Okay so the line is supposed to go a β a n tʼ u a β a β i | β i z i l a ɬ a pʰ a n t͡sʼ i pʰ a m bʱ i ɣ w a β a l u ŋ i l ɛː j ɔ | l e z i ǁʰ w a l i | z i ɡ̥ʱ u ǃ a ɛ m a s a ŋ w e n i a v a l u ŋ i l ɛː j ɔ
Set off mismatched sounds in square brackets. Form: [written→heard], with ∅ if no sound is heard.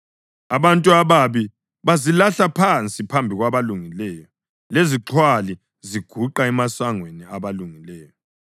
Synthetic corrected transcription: a β a n tʼ u a β a β i | β [i→a] z i l a ɬ a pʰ a n t͡sʼ i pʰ a m bʱ i ɣ w a β a l u ŋ i l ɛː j ɔ | l e z i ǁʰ w a l i | z i ɡ̥ʱ u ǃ a ɛ m a s a ŋ w e n i a [v→β] a l u ŋ i l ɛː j ɔ